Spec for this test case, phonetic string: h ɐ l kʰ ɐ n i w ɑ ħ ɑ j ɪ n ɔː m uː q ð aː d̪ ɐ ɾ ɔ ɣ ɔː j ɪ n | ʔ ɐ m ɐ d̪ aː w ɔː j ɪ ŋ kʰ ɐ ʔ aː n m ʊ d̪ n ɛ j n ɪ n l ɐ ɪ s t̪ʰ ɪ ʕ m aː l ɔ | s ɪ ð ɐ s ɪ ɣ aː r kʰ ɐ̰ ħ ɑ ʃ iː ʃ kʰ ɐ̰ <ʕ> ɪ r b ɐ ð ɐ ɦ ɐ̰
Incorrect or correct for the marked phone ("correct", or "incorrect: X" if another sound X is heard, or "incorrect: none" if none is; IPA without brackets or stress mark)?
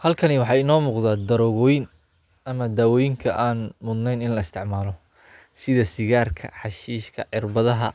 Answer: correct